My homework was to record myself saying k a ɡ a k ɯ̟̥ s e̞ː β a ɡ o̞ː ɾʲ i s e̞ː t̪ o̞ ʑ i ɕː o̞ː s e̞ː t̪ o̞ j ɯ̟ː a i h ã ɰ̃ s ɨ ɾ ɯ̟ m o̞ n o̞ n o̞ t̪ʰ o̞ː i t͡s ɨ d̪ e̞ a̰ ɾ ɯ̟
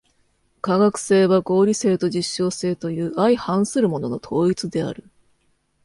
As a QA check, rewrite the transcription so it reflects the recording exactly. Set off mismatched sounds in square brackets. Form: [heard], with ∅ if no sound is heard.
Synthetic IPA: k a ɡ a k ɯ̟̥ s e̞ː β a ɡ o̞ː ɾʲ i s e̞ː t̪ o̞ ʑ i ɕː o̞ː s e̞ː t̪ o̞ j ɯ̟ː a i h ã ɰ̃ s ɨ ɾ ɯ̟ m o̞ n o̞ n o̞ t̪ʰ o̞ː i t͡s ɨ d̪ e̞ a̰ ɾ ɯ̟